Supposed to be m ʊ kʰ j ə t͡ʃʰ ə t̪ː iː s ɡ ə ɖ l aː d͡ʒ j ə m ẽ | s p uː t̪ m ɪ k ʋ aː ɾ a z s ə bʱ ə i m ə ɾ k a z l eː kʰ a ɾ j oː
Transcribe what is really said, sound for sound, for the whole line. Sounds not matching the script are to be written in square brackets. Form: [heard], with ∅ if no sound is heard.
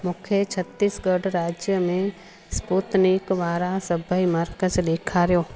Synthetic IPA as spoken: m ʊ kʰ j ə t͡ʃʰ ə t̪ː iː s ɡ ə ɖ [ɾ] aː d͡ʒ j ə m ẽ | s p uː t̪ [n] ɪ k ʋ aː ɾ a [∅] s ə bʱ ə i m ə ɾ k [ə] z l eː kʰ a ɾ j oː